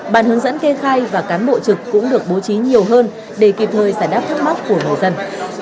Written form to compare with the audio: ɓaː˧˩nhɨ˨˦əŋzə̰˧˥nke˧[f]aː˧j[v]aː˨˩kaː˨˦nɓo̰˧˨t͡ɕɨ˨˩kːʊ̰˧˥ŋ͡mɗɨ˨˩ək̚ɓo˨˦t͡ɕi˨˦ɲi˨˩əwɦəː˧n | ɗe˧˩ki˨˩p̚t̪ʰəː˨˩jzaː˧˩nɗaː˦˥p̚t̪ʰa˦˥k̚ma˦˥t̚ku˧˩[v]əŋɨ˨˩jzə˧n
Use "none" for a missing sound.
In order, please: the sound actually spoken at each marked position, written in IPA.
x, v, none

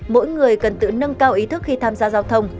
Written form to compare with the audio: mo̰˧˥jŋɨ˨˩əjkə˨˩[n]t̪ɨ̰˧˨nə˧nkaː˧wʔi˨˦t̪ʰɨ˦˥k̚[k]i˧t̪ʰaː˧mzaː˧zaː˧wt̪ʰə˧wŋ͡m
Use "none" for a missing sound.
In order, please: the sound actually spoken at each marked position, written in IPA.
n, x

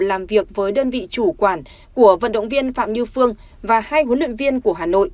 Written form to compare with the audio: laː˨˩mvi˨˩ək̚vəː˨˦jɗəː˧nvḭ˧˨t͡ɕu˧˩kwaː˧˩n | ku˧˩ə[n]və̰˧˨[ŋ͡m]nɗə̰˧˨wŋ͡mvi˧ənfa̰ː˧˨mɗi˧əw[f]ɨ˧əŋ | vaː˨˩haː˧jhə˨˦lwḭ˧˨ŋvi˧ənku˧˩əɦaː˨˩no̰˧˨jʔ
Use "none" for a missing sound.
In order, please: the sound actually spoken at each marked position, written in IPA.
none, none, f

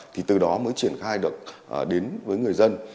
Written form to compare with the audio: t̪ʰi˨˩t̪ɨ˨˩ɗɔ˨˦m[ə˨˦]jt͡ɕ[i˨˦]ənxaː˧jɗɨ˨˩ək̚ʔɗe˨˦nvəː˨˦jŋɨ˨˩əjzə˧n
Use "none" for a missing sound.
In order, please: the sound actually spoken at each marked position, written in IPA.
əː˨˦, i˧˩

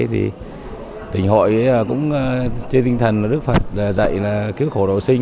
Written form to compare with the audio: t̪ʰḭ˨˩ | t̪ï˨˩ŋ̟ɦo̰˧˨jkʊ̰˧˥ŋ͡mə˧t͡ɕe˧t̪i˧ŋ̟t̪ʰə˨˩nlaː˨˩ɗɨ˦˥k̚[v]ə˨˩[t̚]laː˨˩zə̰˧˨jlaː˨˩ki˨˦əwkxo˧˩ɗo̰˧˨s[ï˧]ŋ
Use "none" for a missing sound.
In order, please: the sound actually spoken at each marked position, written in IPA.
f, t̚, ï˧

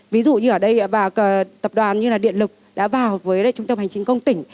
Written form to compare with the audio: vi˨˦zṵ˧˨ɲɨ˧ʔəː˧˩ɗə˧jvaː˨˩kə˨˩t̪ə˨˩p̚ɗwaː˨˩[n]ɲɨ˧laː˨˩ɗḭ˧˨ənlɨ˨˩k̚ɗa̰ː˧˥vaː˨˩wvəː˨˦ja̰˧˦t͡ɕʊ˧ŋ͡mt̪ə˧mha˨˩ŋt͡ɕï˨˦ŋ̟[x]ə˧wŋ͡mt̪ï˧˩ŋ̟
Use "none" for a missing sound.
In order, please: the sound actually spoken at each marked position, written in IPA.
n, k

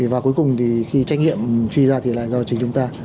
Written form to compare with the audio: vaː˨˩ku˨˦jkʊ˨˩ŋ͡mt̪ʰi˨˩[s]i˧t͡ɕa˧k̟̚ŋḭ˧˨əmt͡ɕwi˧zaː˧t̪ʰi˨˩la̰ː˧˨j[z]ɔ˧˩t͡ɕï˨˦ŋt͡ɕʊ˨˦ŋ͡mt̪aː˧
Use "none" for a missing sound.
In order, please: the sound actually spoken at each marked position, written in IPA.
x, z

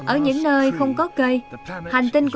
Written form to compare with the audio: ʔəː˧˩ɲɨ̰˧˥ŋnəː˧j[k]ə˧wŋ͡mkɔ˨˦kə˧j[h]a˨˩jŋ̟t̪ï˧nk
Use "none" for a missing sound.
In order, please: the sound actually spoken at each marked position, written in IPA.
x, h

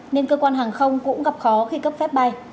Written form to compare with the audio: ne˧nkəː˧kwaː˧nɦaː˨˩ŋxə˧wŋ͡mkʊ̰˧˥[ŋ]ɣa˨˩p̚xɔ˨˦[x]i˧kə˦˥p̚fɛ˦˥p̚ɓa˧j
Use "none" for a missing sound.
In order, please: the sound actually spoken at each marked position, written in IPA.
ŋ͡m, x

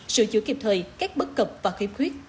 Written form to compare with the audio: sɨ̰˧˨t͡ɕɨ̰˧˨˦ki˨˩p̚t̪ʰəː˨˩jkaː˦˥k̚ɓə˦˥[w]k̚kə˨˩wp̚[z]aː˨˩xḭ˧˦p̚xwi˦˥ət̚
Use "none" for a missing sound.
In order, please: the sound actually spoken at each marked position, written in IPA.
none, v

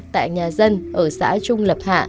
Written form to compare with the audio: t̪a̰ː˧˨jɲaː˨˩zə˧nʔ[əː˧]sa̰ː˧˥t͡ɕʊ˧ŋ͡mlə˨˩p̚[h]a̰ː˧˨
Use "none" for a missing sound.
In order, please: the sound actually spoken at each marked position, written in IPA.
əː˧˩, h

